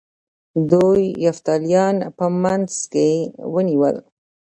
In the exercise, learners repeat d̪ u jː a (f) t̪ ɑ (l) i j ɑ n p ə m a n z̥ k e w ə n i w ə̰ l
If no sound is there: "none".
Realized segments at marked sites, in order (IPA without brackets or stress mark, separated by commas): f, l